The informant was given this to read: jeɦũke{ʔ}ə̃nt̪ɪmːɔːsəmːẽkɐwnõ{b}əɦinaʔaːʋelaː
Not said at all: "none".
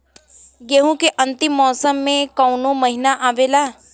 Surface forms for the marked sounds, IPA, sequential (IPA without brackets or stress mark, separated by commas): ʔ, m